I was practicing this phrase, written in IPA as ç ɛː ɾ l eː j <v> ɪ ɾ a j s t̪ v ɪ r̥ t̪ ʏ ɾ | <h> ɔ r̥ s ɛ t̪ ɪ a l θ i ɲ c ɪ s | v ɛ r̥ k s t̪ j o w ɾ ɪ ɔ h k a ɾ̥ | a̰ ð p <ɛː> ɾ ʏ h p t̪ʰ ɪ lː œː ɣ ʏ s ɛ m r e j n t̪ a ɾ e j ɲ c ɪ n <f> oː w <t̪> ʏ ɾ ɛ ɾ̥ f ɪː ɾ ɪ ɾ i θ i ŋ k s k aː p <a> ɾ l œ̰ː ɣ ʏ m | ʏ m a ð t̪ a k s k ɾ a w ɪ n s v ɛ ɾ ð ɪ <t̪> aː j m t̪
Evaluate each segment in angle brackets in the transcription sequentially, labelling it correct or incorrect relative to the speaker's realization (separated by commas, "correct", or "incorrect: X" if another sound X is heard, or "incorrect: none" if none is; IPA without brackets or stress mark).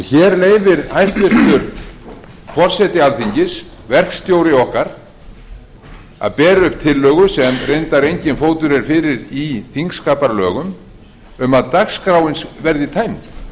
correct, incorrect: f, correct, correct, correct, correct, incorrect: t̪ʰ